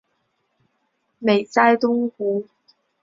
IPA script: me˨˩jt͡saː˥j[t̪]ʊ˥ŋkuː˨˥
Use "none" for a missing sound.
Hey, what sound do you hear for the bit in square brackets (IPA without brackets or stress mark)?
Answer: t̪